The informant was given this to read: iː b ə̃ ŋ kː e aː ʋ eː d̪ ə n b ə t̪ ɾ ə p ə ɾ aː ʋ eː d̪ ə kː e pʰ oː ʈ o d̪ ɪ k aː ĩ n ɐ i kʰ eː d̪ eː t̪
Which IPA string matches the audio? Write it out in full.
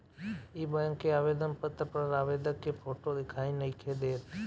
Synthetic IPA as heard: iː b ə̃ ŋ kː e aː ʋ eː d̪ ə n p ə t̪ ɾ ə p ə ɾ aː ʋ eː d̪ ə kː e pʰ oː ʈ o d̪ ɪ kʰ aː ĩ n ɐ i kʰ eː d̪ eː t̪